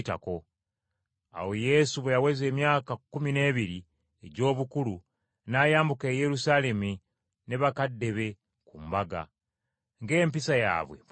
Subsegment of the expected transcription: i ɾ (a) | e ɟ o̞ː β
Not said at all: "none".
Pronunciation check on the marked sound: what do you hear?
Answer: i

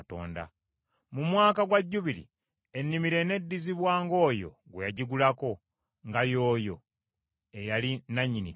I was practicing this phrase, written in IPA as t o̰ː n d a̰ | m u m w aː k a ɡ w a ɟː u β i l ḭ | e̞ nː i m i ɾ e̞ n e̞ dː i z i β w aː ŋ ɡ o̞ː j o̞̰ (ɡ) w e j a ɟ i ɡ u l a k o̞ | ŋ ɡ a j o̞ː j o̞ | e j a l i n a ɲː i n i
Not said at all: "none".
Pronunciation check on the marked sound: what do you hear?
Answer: ɡ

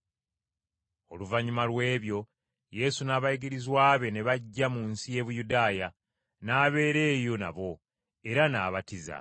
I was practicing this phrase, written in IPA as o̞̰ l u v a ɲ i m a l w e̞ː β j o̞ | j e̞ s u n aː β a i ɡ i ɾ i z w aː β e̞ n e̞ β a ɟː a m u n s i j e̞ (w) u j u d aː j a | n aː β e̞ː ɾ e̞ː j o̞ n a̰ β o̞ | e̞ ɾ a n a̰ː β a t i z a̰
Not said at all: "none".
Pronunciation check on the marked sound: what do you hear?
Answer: β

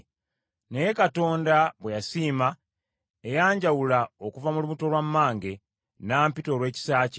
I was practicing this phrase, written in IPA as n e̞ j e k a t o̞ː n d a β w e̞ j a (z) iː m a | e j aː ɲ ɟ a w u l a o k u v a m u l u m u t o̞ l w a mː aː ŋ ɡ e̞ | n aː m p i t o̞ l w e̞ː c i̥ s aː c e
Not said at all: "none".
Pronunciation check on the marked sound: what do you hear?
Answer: s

